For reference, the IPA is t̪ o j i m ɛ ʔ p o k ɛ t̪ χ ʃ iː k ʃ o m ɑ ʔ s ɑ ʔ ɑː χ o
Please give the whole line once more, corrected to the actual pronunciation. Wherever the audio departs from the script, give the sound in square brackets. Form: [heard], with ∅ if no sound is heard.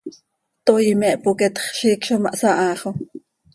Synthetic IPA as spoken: t̪ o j i m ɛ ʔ p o k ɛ t̪ χ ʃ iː k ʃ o m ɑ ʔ s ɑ ʔ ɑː χ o